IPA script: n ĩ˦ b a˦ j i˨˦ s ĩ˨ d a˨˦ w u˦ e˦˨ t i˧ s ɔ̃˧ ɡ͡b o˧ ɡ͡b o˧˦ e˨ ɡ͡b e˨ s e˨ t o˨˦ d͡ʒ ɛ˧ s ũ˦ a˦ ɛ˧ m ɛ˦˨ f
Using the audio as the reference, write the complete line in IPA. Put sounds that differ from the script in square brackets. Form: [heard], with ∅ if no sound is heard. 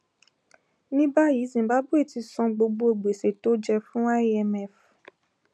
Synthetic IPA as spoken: n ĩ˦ b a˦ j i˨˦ [z] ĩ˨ [b] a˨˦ [b] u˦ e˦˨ t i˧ s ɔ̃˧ ɡ͡b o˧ ɡ͡b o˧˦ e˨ ɡ͡b e˨ s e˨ t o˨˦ d͡ʒ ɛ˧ [f] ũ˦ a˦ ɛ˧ m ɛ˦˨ f